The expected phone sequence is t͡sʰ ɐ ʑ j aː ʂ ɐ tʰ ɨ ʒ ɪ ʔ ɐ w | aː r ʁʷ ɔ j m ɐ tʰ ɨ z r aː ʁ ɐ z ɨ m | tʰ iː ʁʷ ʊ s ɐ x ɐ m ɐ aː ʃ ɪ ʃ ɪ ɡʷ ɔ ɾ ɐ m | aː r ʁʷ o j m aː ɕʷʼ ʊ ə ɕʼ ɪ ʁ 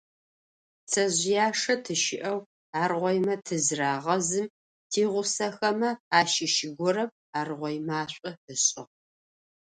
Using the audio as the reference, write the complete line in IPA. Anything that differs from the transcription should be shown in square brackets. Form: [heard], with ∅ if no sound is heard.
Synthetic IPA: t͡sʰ ɐ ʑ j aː ʂ ɐ tʰ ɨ [ʃ] ɪ ʔ ɐ w | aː r ʁʷ ɔ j m ɐ tʰ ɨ z r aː ʁ ɐ z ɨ m | tʰ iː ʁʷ ʊ s ɐ x ɐ m ɐ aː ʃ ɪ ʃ ɪ ɡʷ ɔ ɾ ɐ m | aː r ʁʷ [ɔ] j m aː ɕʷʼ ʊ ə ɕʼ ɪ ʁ